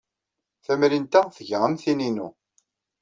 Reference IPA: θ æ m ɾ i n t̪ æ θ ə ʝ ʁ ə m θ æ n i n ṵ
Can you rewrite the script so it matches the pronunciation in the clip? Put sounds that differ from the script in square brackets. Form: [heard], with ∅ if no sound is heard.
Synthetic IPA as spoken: θ æ m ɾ i n t̪ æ θ ə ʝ ʁ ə m θ [i] n i n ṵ